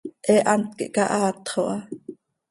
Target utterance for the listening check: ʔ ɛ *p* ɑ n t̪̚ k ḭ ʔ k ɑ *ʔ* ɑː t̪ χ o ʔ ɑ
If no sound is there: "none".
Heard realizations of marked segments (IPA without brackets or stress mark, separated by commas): ʔ, ʔ